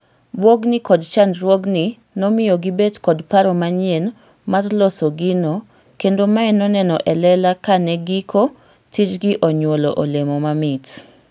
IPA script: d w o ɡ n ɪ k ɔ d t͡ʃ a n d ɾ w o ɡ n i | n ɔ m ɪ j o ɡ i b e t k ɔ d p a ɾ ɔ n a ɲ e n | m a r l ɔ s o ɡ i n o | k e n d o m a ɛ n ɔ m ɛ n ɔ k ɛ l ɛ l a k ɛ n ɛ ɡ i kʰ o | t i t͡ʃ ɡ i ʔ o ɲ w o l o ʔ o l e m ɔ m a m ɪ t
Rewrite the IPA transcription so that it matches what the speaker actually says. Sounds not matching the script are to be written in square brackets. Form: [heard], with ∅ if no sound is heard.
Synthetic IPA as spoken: [b] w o ɡ n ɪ k ɔ d t͡ʃ a n d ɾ w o ɡ n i | n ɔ m ɪ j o ɡ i b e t k ɔ d p a ɾ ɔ [m] a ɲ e n | m a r l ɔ s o ɡ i n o | k e n d o m a ɛ n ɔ [n] ɛ n ɔ [ʔ] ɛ l ɛ l a k [a] n ɛ ɡ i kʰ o | t i t͡ʃ ɡ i ʔ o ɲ w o l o ʔ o l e m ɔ m a m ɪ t

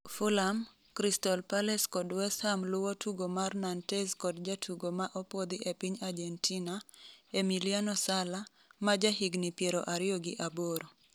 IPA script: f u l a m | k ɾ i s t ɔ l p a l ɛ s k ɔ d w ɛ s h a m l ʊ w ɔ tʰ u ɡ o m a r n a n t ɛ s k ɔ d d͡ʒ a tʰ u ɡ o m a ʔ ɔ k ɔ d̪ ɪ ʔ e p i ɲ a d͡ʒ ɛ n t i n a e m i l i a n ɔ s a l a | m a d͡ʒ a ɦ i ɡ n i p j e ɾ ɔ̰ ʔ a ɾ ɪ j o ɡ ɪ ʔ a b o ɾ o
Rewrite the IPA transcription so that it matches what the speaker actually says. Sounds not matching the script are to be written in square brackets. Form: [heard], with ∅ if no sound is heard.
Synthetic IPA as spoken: f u l a m | k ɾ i s t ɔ l p a l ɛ s k ɔ d w ɛ s h a m l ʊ w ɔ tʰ u ɡ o m a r n a n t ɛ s k ɔ d d͡ʒ a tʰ u ɡ o m a ʔ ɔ [p] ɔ d̪ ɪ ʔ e p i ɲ a d͡ʒ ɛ n t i n a e m i l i a n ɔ s a l a | m a d͡ʒ a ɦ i ɡ n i p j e ɾ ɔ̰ ʔ a ɾ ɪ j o ɡ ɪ ʔ a b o ɾ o

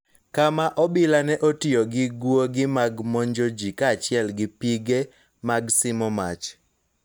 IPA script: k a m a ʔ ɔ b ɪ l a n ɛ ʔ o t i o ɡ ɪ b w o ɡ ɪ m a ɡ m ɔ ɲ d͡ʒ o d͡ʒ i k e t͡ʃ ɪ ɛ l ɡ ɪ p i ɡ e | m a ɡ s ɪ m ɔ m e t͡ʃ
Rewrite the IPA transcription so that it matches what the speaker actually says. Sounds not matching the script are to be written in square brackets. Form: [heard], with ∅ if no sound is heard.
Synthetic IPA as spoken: k a m a ʔ ɔ b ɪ l a n ɛ ʔ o t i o ɡ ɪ [ɡ] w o ɡ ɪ m a ɡ m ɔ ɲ d͡ʒ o d͡ʒ i k [a] t͡ʃ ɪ ɛ l ɡ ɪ p i ɡ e | m a ɡ s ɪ m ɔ m [a] t͡ʃ

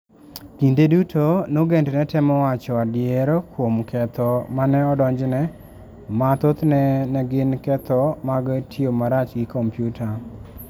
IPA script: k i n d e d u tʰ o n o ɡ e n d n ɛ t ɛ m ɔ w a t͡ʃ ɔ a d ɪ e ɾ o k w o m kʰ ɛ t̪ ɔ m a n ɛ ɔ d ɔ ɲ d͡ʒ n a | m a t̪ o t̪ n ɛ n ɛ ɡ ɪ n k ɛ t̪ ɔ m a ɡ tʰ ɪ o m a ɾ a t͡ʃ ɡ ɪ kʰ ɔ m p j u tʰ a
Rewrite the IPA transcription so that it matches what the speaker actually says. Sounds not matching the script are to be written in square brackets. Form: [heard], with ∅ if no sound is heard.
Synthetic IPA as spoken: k i n d e d u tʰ o n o ɡ e n d n ɛ t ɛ m ɔ w a t͡ʃ ɔ a d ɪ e ɾ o k w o m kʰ ɛ t̪ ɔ m a n ɛ ɔ d ɔ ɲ d͡ʒ n [ɛ] | m a t̪ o t̪ n ɛ n ɛ ɡ ɪ n k ɛ t̪ ɔ m a ɡ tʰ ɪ o m a ɾ a t͡ʃ ɡ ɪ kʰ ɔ m p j u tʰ a

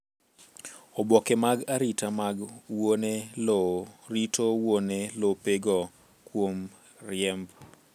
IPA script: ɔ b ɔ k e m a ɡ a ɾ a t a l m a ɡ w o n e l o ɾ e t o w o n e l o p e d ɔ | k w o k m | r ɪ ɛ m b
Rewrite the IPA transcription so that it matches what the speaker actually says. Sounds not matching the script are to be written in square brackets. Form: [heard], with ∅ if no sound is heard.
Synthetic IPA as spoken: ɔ b ɔ k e m a ɡ a ɾ [i] t a [∅] m a ɡ w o n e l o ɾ [i] t o w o n e l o p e [ɡ] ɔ | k w o [∅] m | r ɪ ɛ m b

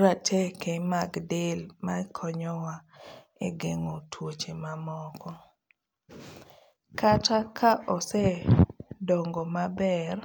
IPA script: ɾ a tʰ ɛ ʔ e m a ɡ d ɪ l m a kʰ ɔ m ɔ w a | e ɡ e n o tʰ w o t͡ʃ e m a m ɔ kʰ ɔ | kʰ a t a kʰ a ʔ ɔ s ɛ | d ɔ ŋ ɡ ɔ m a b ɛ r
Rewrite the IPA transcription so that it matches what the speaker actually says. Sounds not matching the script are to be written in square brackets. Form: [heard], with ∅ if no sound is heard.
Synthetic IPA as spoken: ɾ a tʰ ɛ [k] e m a ɡ d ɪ l m a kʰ ɔ [ɲ] ɔ w a | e ɡ e [ŋ] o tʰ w o t͡ʃ e m a m ɔ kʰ ɔ | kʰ a t a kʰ a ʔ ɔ s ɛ | d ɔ ŋ ɡ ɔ m a b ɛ r

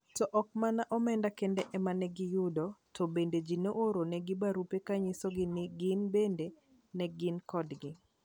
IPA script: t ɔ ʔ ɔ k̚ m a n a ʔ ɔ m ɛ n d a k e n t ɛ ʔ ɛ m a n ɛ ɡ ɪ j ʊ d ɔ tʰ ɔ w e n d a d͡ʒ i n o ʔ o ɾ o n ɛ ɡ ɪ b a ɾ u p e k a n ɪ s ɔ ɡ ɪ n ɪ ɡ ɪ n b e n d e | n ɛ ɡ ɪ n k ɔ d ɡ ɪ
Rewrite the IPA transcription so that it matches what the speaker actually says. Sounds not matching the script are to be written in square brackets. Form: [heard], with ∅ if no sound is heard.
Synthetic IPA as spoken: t ɔ ʔ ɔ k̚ m a n a ʔ ɔ m ɛ n d a k e n [d] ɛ ʔ ɛ m a n ɛ ɡ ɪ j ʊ d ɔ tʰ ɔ [b] e n d [e] d͡ʒ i n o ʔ o ɾ o n ɛ ɡ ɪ b a ɾ u p e k a [ɲ] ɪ s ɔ ɡ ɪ n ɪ ɡ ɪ n b e n d e | n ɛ ɡ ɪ n k ɔ d ɡ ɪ

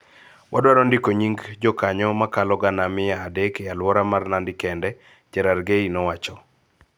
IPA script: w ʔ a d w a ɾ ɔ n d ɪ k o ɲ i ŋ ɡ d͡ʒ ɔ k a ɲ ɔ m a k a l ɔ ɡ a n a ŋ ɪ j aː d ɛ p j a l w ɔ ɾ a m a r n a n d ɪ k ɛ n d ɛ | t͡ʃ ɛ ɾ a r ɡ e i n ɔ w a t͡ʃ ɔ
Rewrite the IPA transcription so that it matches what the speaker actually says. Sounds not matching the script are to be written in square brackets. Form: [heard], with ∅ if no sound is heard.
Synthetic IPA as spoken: w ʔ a d w a ɾ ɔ n d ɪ k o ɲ i ŋ ɡ d͡ʒ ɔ k a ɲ ɔ m a k a l ɔ ɡ a n a [m] ɪ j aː d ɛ [k] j a l w ɔ ɾ a m a r n a n d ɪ k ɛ n d ɛ | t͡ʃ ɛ ɾ a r ɡ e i n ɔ w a t͡ʃ ɔ

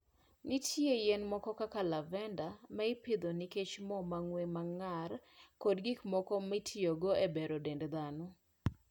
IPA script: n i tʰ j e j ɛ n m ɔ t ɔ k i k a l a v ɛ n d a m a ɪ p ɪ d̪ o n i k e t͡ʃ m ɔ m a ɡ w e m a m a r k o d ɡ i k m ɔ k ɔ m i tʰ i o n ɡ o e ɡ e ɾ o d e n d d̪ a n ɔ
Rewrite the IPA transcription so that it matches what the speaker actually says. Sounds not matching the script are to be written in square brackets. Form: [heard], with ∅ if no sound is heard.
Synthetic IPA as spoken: n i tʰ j e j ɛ n m ɔ [k] ɔ k [a] k a l a v ɛ n d a m a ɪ p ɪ d̪ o n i k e t͡ʃ m ɔ m a [ŋ] w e m a [ŋ] a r k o d ɡ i k m ɔ k ɔ m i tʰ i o [∅] ɡ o e [b] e ɾ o d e n d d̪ a n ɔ

